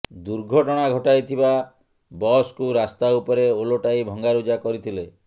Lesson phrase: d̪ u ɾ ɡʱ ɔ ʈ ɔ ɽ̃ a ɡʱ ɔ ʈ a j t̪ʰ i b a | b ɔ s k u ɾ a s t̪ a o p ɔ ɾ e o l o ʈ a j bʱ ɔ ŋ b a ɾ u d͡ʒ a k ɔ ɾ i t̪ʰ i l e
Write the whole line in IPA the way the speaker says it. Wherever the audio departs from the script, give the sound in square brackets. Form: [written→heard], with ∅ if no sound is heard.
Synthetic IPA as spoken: d̪ u ɾ ɡʱ ɔ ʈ ɔ ɽ̃ a ɡʱ ɔ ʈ a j t̪ʰ i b a | b ɔ s k u ɾ a s t̪ a [o→u] p ɔ ɾ e o l o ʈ a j bʱ ɔ ŋ [b→ɡ] a ɾ u d͡ʒ a k ɔ ɾ i t̪ʰ i l e

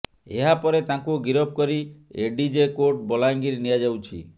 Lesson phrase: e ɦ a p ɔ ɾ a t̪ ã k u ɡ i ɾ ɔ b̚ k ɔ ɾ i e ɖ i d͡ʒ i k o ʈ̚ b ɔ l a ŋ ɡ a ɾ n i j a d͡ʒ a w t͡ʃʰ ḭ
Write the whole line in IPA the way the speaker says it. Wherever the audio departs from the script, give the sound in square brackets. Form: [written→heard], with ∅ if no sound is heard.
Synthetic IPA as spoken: e ɦ a p ɔ ɾ [a→e] t̪ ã k u ɡ i ɾ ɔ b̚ k ɔ ɾ i e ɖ i d͡ʒ [i→e] k o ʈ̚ b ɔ l a ŋ ɡ [a→i] ɾ n i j a d͡ʒ a w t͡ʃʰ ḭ

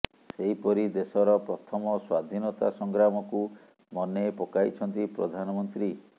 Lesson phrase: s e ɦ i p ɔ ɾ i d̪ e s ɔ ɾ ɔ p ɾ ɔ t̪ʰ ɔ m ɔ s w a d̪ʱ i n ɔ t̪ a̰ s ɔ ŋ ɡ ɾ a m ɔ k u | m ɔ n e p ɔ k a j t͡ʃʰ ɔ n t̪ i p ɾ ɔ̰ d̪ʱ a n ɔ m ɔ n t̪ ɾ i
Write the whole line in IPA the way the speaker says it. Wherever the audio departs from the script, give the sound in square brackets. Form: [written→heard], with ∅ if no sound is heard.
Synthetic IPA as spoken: s e ɦ i p ɔ ɾ i d̪ e s ɔ ɾ ɔ p ɾ ɔ t̪ʰ ɔ m ɔ s w a d̪ʱ i n ɔ t̪ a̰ s ɔ ŋ ɡ ɾ a m ɔ k u | m ɔ n e p ɔ k a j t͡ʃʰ ɔ n t̪ i p ɾ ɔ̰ d̪ʱ a n ɔ m ɔ n t̪ ɾ i

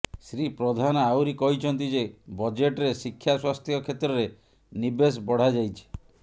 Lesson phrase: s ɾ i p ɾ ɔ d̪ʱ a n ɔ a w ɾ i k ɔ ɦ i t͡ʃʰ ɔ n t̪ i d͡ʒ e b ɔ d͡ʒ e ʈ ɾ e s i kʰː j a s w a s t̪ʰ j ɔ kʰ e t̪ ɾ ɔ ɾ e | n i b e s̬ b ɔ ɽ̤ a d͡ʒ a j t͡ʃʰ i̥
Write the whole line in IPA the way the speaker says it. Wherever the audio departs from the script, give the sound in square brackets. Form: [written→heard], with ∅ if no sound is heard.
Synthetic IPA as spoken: s ɾ i p ɾ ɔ d̪ʱ a n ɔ a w ɾ i k ɔ ɦ i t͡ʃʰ ɔ n t̪ i d͡ʒ e b ɔ d͡ʒ e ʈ ɾ e s i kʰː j a s w a s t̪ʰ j ɔ kʰ e t̪ ɾ ɔ ɾ e | n i b e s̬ b ɔ ɽ̤ a d͡ʒ a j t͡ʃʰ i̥

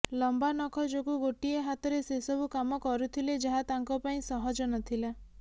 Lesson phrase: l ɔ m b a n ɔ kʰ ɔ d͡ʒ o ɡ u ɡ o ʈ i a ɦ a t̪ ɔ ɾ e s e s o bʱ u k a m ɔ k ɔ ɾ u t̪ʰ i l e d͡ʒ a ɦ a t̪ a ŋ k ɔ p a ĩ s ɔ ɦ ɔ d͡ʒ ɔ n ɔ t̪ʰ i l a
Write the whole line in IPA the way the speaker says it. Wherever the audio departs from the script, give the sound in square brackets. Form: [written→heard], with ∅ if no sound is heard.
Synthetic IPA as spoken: l ɔ m b a n ɔ kʰ ɔ d͡ʒ o ɡ u ɡ o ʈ i [a→e] ɦ a t̪ ɔ ɾ e s e s [o→ɔ] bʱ u k a m ɔ k ɔ ɾ u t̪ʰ i l e d͡ʒ a ɦ a t̪ a ŋ k ɔ p a ĩ s ɔ ɦ ɔ d͡ʒ ɔ n ɔ t̪ʰ i l a

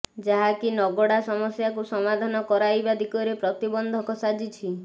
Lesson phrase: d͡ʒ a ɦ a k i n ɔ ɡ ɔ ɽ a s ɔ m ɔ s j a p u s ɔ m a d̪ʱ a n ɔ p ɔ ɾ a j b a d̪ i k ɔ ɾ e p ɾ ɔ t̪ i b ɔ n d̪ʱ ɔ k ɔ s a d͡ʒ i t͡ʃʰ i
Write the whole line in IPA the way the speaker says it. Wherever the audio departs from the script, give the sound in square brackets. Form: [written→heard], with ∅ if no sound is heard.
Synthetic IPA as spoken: d͡ʒ a ɦ a k i n ɔ ɡ ɔ ɽ a s ɔ m ɔ s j a [p→k] u s ɔ m a d̪ʱ a n ɔ [p→k] ɔ ɾ a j b a d̪ i k ɔ ɾ e p ɾ ɔ t̪ i b ɔ n d̪ʱ ɔ k ɔ s a d͡ʒ i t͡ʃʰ i

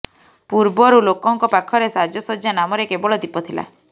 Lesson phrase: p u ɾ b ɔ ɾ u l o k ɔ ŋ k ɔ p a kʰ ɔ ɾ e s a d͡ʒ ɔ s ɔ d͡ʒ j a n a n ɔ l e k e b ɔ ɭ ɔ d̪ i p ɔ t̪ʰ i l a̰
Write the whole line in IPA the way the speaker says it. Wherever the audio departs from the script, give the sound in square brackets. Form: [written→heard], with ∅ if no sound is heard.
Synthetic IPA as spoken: p u ɾ b ɔ ɾ u l o k ɔ ŋ k ɔ p a kʰ ɔ ɾ e s a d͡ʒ ɔ s ɔ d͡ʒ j a n a [n→m] ɔ [l→ɾ] e k e b ɔ ɭ ɔ d̪ i p ɔ t̪ʰ i l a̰

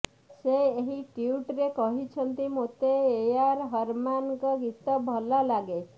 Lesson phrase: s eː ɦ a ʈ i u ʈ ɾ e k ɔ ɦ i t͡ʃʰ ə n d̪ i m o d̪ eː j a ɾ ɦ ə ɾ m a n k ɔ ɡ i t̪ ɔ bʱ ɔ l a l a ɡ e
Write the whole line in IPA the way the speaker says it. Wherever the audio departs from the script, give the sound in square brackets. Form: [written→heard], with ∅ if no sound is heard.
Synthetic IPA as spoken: s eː ɦ [a→i] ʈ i u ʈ ɾ e k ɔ ɦ i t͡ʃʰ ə n [d̪→t̪] i m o [d̪→t̪] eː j a ɾ ɦ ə ɾ m a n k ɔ ɡ i t̪ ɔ bʱ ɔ l a l a ɡ e

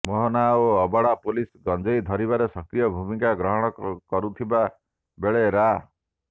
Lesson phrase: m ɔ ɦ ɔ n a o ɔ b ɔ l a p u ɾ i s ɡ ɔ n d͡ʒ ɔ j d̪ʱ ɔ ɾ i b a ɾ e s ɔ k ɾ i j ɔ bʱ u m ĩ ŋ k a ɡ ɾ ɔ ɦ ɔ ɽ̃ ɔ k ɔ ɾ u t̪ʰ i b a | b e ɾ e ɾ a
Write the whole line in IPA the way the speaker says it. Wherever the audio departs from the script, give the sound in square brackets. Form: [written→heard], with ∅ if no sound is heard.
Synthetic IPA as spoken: m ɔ ɦ ɔ n a o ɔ b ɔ [l→ɽ] a p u [ɾ→l] i s ɡ ɔ n d͡ʒ ɔ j d̪ʱ ɔ ɾ i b a ɾ e s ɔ k ɾ i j ɔ bʱ u m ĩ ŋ k a ɡ ɾ ɔ ɦ ɔ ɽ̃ ɔ k ɔ ɾ u t̪ʰ i b a | b e [ɾ→ɭ] e ɾ a

